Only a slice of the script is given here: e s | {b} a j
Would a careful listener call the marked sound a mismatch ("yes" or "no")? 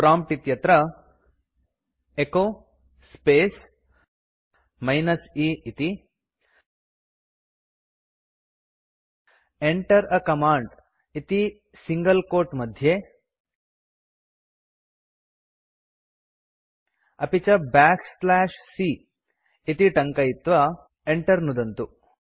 yes